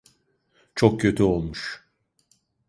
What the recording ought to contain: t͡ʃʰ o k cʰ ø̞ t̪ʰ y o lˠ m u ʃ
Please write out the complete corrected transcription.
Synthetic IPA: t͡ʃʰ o k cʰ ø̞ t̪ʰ y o lˠ m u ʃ